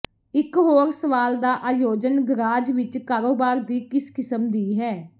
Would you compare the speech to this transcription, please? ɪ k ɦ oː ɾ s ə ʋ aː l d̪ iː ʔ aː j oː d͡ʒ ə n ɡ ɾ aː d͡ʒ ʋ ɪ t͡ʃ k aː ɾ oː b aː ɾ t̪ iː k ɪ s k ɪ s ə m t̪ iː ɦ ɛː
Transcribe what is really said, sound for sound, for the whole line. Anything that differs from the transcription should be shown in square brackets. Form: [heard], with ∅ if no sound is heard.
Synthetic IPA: ɪ k ɦ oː ɾ s ə ʋ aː l d̪ [aː] ʔ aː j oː d͡ʒ ə n ɡ ɾ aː d͡ʒ ʋ ɪ t͡ʃ k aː ɾ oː b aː ɾ [d̪] iː k ɪ s k ɪ s ə m [d̪] iː ɦ ɛː